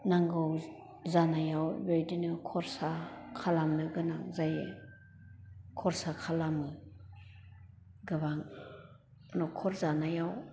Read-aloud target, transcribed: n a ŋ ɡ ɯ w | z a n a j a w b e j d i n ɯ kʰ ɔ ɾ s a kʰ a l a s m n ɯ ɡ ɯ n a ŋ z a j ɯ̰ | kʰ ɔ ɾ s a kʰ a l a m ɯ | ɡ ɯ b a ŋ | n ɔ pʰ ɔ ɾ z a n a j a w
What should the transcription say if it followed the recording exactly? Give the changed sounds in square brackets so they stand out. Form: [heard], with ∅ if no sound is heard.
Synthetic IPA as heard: n a ŋ ɡ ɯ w | z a n a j a w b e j d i n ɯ kʰ ɔ ɾ s a kʰ a l a [∅] m n ɯ ɡ ɯ n a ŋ z a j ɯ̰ | kʰ ɔ ɾ s a kʰ a l a m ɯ | ɡ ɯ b a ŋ | n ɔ [kʰ] ɔ ɾ z a n a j a w